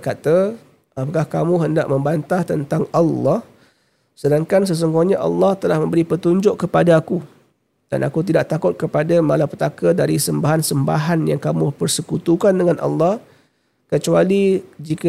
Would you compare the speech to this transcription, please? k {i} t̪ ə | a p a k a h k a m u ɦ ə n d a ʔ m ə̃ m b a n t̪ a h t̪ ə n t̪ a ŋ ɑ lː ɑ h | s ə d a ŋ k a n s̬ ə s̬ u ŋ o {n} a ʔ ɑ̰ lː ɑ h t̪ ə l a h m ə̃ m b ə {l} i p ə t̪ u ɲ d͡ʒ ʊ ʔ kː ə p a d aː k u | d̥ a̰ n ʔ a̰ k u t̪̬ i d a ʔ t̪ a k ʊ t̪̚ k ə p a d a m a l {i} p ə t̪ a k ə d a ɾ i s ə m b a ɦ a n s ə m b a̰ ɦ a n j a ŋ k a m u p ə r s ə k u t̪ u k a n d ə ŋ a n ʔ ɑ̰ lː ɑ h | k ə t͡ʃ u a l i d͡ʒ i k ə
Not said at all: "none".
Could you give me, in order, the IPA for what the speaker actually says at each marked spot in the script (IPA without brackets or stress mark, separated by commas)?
a, ɲ, ɾ, a